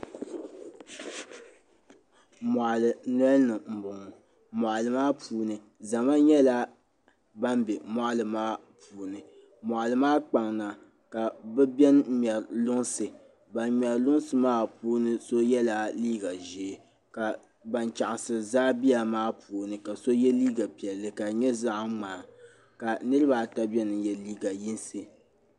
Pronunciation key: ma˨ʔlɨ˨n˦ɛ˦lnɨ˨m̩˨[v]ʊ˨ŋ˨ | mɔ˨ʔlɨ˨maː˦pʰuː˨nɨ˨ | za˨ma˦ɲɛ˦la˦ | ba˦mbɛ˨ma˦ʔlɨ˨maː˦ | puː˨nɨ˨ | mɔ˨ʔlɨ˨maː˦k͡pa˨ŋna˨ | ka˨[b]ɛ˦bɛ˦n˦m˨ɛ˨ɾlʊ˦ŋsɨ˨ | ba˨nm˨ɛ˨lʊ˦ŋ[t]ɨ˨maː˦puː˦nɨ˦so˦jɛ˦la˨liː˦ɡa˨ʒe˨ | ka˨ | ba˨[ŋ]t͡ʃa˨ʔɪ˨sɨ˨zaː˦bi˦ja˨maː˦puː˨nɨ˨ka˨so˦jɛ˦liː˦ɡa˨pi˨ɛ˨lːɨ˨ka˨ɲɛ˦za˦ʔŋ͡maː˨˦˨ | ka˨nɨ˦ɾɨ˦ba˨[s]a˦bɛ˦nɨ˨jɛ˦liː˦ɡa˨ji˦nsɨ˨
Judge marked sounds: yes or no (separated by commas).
no, yes, no, no, no